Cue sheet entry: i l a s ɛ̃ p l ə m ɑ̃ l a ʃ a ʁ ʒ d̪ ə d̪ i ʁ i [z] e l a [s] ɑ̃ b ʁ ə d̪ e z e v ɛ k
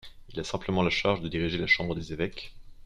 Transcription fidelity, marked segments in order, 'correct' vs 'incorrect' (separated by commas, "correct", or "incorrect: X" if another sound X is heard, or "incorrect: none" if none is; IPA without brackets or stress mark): incorrect: ʒ, incorrect: ʃ